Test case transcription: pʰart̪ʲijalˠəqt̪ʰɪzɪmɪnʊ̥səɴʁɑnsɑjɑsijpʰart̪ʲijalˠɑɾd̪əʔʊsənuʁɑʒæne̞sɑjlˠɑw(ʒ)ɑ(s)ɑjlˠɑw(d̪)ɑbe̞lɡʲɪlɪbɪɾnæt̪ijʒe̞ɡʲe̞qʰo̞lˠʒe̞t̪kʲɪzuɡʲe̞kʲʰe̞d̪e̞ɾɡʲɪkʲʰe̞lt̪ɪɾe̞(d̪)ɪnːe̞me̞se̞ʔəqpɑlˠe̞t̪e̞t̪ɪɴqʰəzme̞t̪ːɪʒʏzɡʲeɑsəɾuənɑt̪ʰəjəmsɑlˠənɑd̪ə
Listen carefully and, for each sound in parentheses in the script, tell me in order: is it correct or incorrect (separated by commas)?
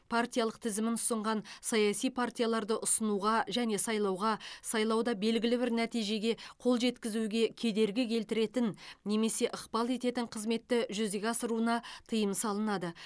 incorrect, correct, correct, incorrect